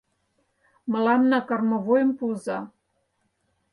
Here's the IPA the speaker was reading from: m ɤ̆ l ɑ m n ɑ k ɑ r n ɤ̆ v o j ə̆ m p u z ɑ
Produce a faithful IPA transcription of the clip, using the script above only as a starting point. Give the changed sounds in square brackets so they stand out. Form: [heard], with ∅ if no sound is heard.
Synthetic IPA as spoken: m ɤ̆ l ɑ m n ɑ k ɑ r [m] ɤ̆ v o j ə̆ m p u z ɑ